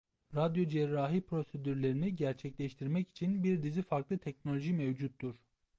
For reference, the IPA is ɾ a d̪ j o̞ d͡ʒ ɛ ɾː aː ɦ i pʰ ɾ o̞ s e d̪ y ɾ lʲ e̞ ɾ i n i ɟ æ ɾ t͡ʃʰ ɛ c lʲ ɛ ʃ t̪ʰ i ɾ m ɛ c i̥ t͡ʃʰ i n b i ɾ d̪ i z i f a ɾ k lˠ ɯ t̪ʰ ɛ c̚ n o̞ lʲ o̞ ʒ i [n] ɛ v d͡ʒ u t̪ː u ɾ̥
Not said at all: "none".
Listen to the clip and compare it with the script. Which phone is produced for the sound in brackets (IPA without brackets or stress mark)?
m